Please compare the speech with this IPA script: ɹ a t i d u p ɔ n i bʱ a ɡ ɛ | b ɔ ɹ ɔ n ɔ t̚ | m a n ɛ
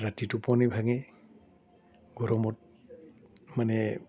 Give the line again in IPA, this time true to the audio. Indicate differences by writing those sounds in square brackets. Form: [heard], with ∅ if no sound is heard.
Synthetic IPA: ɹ a t i [t] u p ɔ n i bʱ a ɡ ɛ | [ɡ] ɔ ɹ ɔ [m] ɔ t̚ | m a n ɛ